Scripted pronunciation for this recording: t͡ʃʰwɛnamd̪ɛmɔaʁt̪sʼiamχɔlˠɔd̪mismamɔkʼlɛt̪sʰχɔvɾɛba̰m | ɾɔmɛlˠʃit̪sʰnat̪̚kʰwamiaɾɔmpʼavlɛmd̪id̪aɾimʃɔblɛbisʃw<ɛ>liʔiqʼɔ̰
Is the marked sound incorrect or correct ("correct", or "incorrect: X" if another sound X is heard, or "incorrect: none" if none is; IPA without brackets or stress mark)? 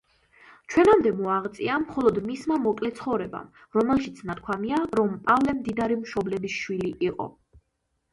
incorrect: i